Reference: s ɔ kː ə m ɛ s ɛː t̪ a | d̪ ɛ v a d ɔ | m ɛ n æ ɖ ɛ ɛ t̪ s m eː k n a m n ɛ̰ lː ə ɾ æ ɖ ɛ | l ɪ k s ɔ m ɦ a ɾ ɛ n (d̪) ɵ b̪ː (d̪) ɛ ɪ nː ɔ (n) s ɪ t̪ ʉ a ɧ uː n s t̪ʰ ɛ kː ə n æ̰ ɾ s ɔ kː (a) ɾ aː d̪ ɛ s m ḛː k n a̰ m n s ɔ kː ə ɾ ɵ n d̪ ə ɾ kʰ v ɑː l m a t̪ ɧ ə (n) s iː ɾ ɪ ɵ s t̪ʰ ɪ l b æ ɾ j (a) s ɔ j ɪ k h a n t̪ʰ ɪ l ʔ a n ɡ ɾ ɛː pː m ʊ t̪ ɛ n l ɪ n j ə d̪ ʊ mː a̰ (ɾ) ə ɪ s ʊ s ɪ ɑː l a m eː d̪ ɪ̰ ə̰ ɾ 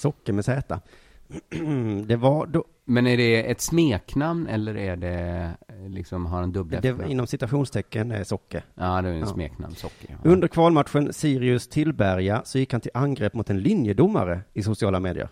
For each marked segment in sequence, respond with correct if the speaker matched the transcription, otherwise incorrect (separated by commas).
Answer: correct, correct, incorrect, incorrect, correct, correct, correct